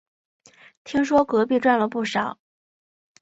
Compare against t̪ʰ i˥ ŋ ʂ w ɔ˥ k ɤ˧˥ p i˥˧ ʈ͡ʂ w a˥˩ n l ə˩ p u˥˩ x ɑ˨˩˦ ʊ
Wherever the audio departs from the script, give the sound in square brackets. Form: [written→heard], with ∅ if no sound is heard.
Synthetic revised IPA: t̪ʰ i˥ ŋ ʂ w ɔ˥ k ɤ˧˥ p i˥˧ ʈ͡ʂ w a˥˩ n l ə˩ p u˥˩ [x→ʂ] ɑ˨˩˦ ʊ